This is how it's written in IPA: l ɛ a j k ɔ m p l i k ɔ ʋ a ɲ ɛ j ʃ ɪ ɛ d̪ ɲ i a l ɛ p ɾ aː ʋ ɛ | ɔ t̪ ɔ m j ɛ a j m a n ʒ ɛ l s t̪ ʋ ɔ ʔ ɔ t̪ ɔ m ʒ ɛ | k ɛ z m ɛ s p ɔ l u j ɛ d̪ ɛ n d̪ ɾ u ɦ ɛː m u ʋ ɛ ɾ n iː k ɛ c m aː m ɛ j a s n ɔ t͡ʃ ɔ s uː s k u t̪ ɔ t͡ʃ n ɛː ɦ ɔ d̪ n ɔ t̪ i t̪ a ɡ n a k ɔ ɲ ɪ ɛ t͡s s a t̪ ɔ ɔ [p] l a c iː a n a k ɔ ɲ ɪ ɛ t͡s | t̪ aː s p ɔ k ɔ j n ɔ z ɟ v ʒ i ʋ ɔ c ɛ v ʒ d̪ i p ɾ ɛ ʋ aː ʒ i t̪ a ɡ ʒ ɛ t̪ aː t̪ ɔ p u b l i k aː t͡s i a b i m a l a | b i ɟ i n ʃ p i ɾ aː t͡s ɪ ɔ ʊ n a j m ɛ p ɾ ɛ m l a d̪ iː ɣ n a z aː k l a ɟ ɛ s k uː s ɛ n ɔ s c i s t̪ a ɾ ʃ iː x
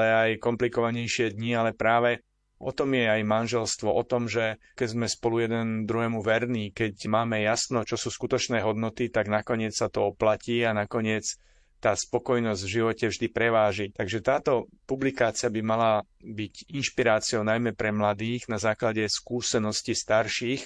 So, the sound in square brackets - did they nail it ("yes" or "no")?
yes